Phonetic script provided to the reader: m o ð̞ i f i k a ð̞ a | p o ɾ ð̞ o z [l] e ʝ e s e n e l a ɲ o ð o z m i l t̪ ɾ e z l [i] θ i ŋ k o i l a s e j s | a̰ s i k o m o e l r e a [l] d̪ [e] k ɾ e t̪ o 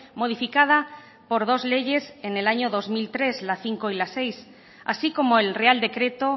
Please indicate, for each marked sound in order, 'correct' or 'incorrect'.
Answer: correct, incorrect, correct, correct

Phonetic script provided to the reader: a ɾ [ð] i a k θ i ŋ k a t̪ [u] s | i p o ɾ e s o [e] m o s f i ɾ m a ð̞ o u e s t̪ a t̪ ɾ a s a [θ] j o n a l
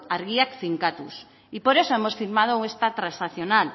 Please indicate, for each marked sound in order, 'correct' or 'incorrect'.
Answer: incorrect, correct, correct, correct

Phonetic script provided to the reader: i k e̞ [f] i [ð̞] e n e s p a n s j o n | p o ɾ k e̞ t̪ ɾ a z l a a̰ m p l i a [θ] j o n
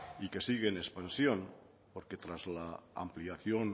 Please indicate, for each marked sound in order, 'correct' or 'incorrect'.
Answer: incorrect, incorrect, correct

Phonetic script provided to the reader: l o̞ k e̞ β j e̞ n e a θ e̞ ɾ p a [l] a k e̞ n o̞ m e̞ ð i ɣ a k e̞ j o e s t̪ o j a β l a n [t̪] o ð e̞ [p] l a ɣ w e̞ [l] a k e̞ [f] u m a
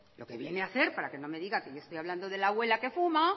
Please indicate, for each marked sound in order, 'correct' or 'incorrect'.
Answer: incorrect, incorrect, incorrect, correct, correct

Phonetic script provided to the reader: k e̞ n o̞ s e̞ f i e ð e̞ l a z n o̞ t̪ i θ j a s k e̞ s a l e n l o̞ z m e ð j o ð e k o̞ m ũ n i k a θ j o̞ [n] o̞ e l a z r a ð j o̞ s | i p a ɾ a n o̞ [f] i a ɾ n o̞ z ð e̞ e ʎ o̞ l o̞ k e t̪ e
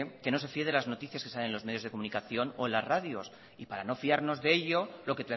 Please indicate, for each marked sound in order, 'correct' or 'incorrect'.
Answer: correct, correct

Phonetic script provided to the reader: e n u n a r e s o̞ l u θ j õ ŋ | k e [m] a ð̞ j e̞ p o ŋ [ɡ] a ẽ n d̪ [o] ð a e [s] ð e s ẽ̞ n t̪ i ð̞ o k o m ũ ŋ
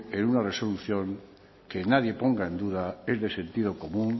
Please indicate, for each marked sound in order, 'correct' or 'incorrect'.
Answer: incorrect, correct, incorrect, incorrect

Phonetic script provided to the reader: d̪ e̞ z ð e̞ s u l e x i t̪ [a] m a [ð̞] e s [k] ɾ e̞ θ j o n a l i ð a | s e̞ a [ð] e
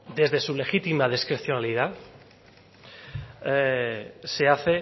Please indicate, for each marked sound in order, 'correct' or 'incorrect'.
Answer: incorrect, correct, correct, incorrect

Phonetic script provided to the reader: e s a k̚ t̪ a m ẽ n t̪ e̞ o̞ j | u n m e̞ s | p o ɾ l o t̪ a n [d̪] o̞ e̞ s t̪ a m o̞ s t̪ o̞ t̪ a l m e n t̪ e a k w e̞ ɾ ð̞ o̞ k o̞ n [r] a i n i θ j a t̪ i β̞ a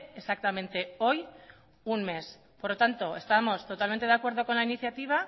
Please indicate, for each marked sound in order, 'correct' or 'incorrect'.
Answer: incorrect, incorrect

